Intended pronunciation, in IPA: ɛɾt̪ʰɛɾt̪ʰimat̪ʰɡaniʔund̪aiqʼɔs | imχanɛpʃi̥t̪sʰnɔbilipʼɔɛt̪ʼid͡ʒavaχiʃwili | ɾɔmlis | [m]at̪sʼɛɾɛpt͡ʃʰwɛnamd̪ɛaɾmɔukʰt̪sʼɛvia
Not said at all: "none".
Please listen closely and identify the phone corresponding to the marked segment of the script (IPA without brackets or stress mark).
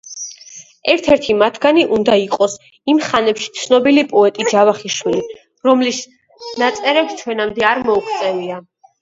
n